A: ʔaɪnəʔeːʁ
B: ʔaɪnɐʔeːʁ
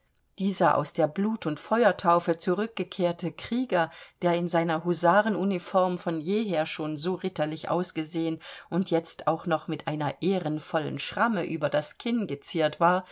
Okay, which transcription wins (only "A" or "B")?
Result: B